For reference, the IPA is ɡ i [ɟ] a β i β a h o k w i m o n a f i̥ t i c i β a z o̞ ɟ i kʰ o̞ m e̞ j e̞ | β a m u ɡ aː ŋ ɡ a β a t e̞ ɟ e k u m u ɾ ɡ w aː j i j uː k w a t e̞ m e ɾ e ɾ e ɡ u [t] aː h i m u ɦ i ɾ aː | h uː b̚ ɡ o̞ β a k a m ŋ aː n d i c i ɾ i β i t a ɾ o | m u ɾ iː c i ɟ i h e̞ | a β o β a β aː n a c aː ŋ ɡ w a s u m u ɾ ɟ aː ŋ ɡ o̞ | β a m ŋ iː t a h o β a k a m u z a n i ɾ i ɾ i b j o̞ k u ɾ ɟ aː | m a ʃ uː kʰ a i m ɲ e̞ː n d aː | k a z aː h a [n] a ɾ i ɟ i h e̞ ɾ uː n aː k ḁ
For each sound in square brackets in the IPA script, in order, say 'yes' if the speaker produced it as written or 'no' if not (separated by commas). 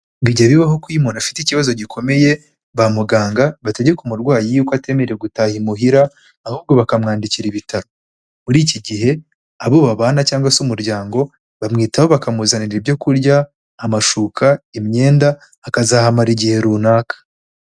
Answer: yes, yes, no